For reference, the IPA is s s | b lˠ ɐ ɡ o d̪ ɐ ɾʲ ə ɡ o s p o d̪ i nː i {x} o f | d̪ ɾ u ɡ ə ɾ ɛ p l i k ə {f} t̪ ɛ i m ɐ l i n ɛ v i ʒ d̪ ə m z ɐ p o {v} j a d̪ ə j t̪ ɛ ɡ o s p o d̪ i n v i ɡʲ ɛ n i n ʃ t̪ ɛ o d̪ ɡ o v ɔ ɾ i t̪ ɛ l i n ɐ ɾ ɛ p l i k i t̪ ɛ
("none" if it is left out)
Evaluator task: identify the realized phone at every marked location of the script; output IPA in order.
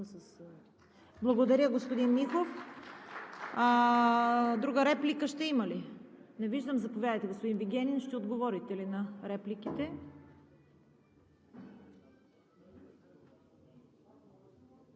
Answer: x, ʃ, v

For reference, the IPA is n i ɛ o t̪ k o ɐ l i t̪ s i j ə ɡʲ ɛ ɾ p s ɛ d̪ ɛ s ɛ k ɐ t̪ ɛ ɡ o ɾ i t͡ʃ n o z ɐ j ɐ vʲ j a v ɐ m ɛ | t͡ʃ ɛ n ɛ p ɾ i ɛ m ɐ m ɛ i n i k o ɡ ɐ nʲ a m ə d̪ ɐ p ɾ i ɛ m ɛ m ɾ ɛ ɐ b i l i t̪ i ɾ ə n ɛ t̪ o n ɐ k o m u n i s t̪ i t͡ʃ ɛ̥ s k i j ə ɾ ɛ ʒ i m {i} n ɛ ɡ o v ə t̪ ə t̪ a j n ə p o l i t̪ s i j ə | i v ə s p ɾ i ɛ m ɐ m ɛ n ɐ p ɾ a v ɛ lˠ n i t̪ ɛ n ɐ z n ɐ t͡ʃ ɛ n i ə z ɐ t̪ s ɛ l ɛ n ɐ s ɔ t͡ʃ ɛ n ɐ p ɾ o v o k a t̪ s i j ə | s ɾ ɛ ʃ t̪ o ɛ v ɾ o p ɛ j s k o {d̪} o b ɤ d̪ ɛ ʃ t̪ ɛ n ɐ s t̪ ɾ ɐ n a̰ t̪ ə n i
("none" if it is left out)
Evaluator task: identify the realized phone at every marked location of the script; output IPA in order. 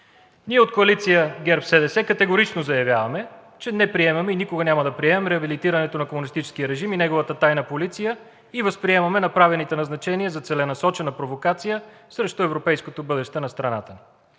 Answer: i, t̪

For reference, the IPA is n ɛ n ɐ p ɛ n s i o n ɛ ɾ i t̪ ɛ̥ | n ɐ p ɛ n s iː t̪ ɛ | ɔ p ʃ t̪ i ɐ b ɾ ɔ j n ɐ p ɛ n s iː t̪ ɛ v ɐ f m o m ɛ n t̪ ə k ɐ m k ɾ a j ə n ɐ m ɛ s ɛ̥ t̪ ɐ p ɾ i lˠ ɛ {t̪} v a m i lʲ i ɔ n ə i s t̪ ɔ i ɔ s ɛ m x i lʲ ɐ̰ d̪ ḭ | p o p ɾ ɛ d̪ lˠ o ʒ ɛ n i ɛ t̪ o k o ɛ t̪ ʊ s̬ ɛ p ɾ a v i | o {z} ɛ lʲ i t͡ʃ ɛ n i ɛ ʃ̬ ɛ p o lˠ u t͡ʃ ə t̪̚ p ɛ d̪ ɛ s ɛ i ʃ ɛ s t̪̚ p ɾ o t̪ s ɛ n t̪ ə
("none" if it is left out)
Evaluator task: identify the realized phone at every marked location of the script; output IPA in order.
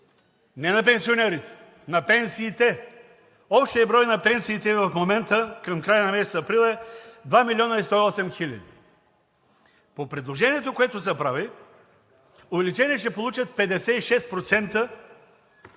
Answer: d̪, v

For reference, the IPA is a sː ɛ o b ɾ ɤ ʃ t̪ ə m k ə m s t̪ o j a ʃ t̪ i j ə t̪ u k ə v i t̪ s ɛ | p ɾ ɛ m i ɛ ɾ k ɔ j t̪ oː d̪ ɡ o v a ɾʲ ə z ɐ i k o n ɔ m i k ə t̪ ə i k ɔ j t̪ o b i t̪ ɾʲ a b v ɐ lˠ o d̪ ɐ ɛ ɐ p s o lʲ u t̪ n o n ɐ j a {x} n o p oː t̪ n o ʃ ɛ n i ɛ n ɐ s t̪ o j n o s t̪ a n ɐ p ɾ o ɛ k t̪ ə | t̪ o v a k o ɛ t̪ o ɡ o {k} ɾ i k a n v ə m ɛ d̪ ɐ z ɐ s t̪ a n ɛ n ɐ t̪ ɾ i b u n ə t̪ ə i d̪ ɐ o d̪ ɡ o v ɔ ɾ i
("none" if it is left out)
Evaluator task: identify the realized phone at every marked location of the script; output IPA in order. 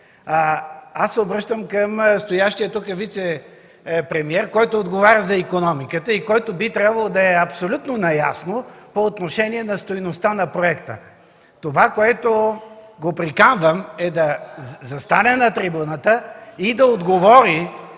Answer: s, p

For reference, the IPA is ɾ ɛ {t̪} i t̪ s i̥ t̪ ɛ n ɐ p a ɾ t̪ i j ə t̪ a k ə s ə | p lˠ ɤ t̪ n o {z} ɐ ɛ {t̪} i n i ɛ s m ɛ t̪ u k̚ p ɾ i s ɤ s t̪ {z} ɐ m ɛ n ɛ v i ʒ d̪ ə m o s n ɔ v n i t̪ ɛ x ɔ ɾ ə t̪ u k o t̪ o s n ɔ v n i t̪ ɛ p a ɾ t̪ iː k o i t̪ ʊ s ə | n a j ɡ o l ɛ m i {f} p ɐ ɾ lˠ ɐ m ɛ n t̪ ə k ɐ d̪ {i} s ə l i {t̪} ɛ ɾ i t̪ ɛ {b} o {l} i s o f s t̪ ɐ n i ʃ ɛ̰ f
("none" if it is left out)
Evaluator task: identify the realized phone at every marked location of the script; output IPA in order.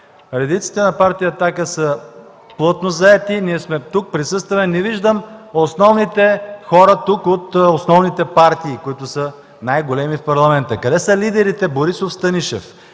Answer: d̪, z, t̪, v, f, ɛ, d̪, b, ɾ

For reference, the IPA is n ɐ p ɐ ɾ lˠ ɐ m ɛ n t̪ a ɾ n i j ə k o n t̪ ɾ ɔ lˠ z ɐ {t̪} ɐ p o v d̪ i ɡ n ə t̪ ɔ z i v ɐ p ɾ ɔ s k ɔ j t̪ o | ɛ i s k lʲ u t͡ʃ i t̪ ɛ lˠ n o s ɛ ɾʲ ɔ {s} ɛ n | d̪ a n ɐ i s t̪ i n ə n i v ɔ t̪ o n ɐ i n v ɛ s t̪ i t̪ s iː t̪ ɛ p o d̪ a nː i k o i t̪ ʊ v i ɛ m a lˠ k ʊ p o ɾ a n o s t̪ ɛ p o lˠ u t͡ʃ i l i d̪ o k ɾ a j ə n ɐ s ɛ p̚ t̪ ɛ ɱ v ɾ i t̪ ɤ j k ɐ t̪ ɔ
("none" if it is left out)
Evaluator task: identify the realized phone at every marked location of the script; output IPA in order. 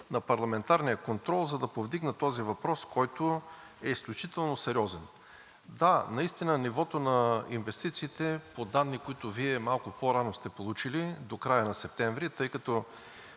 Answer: d̪, z

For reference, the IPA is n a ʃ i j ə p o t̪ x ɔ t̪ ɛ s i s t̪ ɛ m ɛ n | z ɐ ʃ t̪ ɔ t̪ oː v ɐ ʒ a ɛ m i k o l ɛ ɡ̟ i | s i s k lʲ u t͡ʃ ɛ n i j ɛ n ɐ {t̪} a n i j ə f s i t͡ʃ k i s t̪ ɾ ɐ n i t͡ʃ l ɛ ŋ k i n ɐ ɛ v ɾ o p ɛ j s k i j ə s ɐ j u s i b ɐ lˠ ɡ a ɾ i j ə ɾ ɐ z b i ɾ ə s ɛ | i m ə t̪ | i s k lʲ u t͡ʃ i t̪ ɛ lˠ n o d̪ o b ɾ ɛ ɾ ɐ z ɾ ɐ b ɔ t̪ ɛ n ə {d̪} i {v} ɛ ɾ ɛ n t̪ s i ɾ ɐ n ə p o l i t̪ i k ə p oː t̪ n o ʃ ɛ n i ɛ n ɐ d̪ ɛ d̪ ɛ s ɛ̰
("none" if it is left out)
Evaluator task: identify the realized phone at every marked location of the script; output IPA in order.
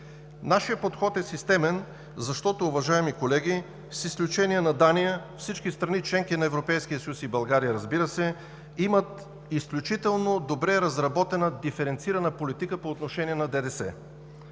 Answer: d̪, d̪, f

